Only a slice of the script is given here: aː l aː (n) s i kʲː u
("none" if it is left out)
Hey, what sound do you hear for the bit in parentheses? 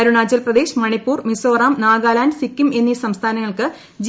n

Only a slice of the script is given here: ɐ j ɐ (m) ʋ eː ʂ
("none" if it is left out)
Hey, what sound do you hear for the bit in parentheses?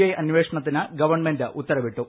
n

